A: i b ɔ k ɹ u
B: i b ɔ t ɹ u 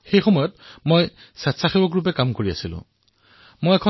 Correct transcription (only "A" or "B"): A